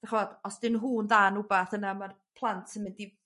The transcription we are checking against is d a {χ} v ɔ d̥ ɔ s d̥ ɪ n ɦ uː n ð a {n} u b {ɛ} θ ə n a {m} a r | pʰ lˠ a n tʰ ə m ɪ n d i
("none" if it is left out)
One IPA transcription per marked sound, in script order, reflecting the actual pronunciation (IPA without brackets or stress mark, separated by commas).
χ, n, a, m